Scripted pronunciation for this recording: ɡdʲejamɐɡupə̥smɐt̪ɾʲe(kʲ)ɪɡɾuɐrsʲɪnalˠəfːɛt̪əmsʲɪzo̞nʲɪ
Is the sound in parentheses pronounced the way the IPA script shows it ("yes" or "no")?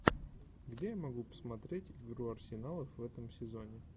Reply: no